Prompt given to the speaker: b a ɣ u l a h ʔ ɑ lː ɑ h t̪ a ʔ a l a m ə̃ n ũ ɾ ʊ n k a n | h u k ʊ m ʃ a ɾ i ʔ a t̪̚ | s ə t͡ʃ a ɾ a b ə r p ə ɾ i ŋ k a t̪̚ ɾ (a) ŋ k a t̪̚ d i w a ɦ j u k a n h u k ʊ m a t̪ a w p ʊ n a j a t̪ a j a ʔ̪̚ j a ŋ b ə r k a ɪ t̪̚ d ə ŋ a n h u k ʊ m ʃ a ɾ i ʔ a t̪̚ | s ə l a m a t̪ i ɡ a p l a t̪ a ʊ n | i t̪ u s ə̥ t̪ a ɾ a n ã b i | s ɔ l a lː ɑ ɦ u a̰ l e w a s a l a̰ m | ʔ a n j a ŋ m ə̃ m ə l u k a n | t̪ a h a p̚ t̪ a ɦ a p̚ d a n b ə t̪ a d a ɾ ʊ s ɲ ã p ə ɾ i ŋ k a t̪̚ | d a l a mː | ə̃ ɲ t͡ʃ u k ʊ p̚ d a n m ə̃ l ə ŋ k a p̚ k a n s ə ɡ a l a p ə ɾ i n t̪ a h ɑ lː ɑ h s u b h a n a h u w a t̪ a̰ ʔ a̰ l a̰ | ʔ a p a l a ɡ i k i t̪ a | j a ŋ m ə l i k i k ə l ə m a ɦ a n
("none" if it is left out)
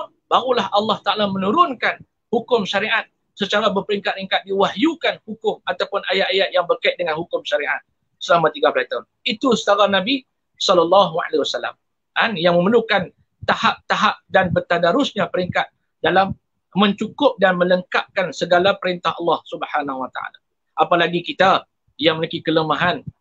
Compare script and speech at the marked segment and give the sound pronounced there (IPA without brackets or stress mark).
i